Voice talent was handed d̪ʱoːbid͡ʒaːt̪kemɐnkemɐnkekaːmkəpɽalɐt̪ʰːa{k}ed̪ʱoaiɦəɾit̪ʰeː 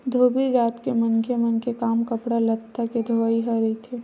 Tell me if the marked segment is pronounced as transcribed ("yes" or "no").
yes